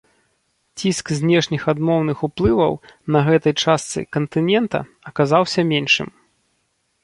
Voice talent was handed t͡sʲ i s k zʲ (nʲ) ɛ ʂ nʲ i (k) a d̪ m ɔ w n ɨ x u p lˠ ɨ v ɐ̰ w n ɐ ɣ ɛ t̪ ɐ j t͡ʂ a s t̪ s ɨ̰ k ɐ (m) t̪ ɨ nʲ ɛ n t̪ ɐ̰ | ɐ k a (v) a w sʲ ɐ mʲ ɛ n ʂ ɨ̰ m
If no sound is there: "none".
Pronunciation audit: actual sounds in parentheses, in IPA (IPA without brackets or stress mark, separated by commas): nʲ, x, n, z